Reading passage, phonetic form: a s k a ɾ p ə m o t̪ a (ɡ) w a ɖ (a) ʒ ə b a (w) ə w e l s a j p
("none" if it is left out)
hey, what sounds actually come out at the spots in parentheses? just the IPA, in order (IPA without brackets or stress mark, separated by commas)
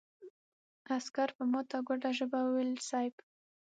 ɡ, a, w